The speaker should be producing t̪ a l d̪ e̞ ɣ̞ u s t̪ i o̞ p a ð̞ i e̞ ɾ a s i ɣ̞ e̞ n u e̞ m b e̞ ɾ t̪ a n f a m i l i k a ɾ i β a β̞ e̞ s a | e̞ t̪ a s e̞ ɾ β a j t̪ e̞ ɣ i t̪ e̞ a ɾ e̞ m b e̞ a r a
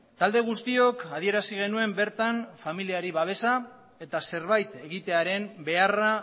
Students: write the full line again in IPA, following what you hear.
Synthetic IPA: t̪ a l d̪ e̞ ɣ̞ u s t̪ i o̞ k a ð̞ i e̞ ɾ a s i ɣ̞ e̞ n u e̞ m b e̞ ɾ t̪ a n f a m i l i a ɾ i β a β̞ e̞ s a | e̞ t̪ a s e̞ ɾ β a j t̪ e̞ ɣ i t̪ e̞ a ɾ e̞ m b e̞ a r a